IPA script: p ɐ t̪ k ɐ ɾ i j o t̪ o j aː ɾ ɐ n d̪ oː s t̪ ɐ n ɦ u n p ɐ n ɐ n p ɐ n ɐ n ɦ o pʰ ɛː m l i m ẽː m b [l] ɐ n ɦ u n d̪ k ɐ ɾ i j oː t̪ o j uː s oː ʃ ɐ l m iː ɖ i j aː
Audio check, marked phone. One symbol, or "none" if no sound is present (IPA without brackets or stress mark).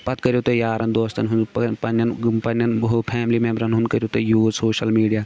ɾ